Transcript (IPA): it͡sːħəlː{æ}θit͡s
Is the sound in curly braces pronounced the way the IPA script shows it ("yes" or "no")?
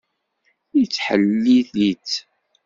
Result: no